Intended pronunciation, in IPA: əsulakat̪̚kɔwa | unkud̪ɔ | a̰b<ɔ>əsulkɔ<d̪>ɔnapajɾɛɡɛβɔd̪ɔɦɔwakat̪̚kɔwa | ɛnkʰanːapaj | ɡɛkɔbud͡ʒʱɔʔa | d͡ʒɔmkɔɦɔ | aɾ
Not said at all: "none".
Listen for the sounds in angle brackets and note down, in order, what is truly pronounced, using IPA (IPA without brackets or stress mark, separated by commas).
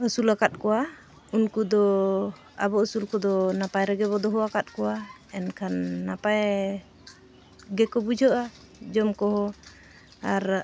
ɔ, d̪